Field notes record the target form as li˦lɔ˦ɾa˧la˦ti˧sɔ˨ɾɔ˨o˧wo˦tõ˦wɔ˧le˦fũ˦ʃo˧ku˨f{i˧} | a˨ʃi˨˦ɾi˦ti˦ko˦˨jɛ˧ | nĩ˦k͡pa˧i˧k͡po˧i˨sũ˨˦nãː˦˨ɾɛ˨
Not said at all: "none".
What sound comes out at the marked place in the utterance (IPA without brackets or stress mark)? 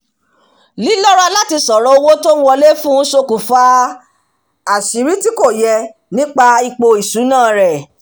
a˧